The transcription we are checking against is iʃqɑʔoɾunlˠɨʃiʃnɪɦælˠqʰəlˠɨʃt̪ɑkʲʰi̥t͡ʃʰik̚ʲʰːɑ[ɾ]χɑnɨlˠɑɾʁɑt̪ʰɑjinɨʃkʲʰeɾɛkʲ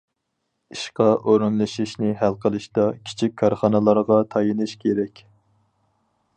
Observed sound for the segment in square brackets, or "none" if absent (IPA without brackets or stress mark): ɾ